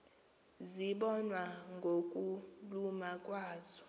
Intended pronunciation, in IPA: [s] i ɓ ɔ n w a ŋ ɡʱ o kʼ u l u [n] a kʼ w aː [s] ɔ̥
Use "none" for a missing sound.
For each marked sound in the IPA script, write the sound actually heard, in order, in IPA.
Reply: z, m, z

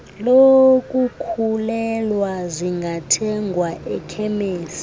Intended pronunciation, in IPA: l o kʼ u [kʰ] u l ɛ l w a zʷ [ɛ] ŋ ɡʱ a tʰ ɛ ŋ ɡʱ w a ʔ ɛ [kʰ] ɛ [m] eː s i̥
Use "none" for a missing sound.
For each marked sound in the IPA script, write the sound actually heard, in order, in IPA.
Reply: kʰ, i, kʰ, m

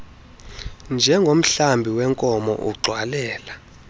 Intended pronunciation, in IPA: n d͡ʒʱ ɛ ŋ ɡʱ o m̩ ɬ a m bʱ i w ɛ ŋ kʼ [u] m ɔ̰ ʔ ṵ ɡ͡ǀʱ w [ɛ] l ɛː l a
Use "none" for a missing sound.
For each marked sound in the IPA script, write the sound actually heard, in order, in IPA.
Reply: ɔ, a

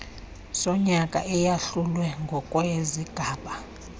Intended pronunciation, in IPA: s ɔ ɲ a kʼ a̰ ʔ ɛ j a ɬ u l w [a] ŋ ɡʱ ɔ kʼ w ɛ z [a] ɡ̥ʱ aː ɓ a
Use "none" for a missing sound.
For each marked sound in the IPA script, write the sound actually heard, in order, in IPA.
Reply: ɛ, i

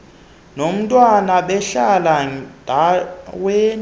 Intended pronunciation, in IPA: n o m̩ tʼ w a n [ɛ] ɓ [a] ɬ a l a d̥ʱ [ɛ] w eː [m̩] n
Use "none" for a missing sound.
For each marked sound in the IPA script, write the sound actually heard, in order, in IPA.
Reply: a, ɛ, a, none

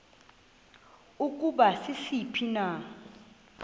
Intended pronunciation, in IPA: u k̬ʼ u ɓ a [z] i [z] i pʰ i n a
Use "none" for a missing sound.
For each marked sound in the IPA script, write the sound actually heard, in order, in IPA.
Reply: s, s

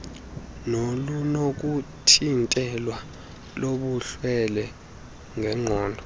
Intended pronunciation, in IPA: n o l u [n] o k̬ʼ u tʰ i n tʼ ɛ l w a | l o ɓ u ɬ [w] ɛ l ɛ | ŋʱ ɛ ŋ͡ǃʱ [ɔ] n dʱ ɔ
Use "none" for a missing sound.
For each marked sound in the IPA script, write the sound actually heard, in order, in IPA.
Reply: n, w, ɔː

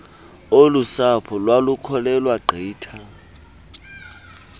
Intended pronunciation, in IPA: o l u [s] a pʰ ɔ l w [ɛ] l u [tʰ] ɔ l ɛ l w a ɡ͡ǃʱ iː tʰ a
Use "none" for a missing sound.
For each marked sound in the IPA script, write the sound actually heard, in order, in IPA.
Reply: s, a, kʰ

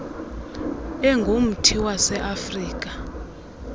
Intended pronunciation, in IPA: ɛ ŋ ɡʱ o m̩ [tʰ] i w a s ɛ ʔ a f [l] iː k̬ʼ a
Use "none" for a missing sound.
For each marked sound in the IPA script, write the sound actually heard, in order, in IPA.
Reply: tʰ, r

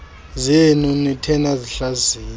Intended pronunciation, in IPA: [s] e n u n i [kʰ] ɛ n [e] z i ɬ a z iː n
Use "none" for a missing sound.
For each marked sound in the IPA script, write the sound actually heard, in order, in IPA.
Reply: z, tʰ, a

